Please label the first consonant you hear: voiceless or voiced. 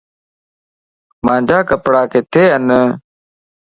voiced